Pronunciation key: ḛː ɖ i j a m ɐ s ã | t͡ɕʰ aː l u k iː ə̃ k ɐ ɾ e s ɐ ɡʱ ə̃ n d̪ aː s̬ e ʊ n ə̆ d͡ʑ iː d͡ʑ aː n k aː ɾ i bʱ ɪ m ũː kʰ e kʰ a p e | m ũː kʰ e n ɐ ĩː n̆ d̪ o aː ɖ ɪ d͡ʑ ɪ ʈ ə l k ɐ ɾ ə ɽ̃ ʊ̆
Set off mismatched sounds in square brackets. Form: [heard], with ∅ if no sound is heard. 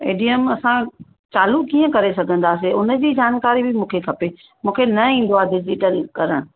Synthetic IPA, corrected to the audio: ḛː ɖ i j [ə] m ɐ s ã | [t͡ɕ] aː l u k iː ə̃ k ɐ ɾ e s ɐ ɡʱ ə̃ n d̪ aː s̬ e ʊ n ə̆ d͡ʑ iː d͡ʑ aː n k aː ɾ i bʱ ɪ m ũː kʰ e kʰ [ɐ] p e | m ũː kʰ e n ɐ ĩː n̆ d̪ o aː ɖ ɪ d͡ʑ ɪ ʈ ə l k ɐ ɾ ə ɽ̃ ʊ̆